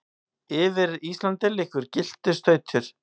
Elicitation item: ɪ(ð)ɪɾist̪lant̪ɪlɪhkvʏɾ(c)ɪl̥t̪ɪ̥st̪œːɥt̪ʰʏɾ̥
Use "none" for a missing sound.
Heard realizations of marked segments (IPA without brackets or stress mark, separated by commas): v, c